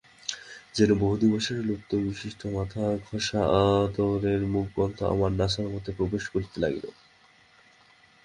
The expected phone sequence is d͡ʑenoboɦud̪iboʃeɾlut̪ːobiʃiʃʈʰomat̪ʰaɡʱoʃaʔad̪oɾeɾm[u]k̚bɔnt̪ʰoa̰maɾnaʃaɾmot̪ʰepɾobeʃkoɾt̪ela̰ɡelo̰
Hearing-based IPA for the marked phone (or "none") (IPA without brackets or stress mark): u